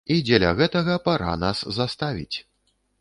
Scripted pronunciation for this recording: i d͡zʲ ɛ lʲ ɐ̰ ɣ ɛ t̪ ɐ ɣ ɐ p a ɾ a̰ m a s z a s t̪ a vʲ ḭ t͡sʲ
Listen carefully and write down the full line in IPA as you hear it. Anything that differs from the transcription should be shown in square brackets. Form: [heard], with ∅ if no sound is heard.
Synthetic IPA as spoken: i d͡zʲ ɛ lʲ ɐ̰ ɣ ɛ t̪ ɐ ɣ ɐ p a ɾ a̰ [n] a s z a s t̪ a vʲ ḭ t͡sʲ

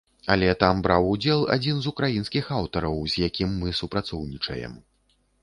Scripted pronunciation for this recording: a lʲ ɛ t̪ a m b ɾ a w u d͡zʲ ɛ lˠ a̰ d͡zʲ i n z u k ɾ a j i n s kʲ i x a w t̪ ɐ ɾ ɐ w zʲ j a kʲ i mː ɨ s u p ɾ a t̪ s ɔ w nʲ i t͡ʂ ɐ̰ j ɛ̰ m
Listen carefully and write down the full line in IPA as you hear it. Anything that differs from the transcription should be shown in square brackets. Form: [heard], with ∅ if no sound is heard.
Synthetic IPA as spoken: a lʲ ɛ t̪ a m b ɾ a w u d͡zʲ ɛ lˠ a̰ d͡zʲ i n z u k ɾ a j i n s kʲ i x a w t̪ ɐ ɾ ɐ w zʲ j a kʲ i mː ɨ s u p ɾ a t̪ s ɔ w nʲ i t͡ʂ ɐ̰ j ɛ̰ m

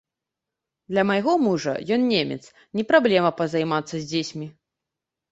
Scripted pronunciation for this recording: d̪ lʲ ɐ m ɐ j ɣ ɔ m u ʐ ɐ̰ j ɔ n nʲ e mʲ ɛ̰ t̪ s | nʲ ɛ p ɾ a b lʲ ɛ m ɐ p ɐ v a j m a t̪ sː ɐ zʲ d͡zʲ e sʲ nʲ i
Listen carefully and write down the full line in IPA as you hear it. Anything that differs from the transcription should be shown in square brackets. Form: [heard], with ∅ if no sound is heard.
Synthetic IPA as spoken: d̪ lʲ ɐ m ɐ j ɣ ɔ m u ʐ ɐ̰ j ɔ n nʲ e mʲ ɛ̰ t̪ s | nʲ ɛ p ɾ a b lʲ ɛ m ɐ p ɐ [z] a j m a t̪ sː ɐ zʲ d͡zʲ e sʲ [mʲ] i

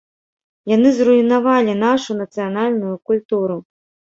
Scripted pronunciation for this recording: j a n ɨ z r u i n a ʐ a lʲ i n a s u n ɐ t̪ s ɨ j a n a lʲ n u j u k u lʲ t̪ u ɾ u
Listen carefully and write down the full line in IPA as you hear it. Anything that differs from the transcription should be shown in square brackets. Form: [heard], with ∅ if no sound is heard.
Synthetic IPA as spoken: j a n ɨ z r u i n a [v] a lʲ i n a [ʂ] u n ɐ t̪ s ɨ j a n a lʲ n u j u k u lʲ t̪ u ɾ u

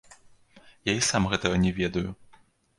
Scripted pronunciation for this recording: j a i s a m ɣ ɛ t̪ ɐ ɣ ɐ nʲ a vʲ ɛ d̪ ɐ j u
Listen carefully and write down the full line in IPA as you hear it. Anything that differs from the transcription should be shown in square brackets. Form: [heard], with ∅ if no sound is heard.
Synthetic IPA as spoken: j a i s a m ɣ ɛ t̪ ɐ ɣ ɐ nʲ [ɛ] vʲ ɛ d̪ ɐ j u

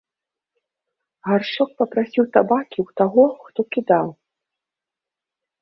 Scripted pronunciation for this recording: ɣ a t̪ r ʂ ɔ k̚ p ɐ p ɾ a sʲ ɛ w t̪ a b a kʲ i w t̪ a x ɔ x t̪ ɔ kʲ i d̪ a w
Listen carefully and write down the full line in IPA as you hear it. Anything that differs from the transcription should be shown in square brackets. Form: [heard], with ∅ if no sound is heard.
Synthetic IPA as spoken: ɣ a [∅] r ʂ ɔ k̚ p ɐ p ɾ a sʲ [i] w t̪ a b a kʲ i w t̪ a [ɣ] ɔ x t̪ ɔ kʲ i d̪ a w

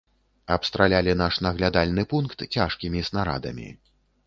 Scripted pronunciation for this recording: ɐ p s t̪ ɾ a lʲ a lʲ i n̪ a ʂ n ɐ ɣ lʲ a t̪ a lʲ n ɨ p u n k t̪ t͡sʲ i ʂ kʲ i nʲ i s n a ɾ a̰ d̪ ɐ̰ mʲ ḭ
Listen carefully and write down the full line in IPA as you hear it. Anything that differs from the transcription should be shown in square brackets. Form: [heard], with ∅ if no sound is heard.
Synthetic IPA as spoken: ɐ p s t̪ ɾ a lʲ a lʲ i n̪ a ʂ n ɐ ɣ lʲ a [d̪] a lʲ n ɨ p u n k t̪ t͡sʲ [a] ʂ kʲ i [mʲ] i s n a ɾ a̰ d̪ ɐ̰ mʲ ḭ

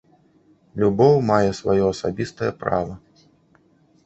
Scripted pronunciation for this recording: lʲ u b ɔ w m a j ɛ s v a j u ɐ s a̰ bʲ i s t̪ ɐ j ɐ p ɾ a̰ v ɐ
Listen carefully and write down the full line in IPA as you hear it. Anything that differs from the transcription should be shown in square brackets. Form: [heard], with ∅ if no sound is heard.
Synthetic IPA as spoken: lʲ u b ɔ w m a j ɛ s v a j [ɔ] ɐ s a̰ bʲ i s t̪ ɐ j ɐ p ɾ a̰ v ɐ

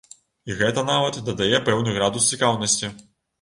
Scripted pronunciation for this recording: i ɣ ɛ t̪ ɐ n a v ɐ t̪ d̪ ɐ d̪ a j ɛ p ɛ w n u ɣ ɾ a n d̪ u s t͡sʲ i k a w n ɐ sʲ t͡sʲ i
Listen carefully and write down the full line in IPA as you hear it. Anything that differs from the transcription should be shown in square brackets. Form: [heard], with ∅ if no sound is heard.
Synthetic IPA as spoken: i ɣ ɛ t̪ ɐ n a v ɐ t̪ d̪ ɐ d̪ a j ɛ p ɛ w n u ɣ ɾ a [∅] d̪ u s t͡sʲ i k a w n ɐ sʲ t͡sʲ i

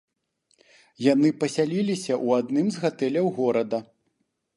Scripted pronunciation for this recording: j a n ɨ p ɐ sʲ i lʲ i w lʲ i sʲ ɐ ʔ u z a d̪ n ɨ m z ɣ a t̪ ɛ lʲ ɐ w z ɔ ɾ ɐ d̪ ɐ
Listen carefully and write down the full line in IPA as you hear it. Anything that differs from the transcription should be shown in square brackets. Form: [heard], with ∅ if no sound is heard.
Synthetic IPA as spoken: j a n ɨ p ɐ sʲ [a] lʲ i [∅] lʲ i sʲ ɐ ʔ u [∅] a d̪ n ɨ m z ɣ a t̪ ɛ lʲ ɐ w [ɣ] ɔ ɾ ɐ d̪ ɐ

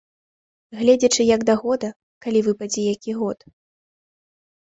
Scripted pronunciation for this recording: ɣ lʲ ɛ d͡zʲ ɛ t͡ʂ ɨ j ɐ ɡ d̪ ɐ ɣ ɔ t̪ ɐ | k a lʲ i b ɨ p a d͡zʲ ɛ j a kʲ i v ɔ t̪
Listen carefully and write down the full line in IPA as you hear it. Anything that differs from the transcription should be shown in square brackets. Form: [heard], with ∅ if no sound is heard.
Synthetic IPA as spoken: ɣ lʲ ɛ d͡zʲ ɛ t͡ʂ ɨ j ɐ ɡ d̪ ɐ ɣ ɔ [d̪] ɐ | k a lʲ i [v] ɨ p a d͡zʲ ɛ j a kʲ i [ɣ] ɔ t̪

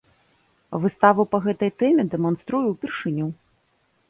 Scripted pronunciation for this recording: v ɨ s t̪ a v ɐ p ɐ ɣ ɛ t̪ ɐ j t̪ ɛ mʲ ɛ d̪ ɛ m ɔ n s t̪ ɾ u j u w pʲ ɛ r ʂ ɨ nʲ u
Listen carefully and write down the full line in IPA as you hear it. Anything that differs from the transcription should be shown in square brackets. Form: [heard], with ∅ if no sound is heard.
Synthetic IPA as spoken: v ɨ s t̪ a v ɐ p ɐ ɣ ɛ t̪ ɐ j t̪ ɛ mʲ ɛ d̪ ɛ m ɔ n s t̪ ɾ u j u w pʲ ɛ r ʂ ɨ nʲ u

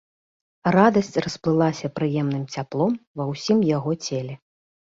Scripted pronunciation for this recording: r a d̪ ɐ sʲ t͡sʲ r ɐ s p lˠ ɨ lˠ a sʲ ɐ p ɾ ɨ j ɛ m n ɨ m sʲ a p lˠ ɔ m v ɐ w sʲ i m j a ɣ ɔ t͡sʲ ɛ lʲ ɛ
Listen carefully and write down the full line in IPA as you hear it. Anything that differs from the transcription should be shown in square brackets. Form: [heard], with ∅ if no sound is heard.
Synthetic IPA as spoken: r a d̪ ɐ sʲ t͡sʲ r ɐ s p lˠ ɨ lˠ a sʲ ɐ p ɾ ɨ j ɛ m n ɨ m [t͡sʲ] a p lˠ ɔ m v ɐ w sʲ i m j a ɣ ɔ t͡sʲ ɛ lʲ ɛ

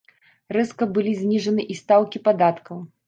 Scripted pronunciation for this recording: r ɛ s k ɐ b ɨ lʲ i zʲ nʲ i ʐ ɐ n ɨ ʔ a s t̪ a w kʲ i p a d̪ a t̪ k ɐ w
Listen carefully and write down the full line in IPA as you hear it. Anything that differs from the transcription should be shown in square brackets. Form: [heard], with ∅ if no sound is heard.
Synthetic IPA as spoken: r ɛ s k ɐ b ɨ lʲ i zʲ nʲ i ʐ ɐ n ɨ ʔ [i] s t̪ a w kʲ i p a d̪ a t̪ k ɐ w

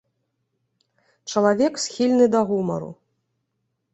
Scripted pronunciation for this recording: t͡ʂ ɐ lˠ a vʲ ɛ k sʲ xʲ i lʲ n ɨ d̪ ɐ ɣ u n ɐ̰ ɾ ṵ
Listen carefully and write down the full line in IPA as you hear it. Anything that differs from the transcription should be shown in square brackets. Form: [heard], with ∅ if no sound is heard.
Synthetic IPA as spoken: t͡ʂ ɐ lˠ a vʲ ɛ k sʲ xʲ i lʲ n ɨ d̪ ɐ ɣ u [m] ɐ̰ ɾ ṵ

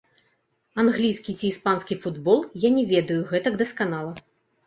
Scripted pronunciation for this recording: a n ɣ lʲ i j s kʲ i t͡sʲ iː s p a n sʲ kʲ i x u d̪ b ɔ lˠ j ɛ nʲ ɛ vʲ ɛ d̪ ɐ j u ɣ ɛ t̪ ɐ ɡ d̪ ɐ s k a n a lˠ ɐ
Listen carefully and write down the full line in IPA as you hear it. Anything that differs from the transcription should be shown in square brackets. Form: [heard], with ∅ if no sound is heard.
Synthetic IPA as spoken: a n ɣ lʲ i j s kʲ i t͡sʲ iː s p a n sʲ kʲ i [f] u d̪ b ɔ lˠ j [a] nʲ ɛ vʲ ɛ d̪ ɐ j u ɣ ɛ t̪ ɐ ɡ d̪ ɐ s k a n a lˠ ɐ

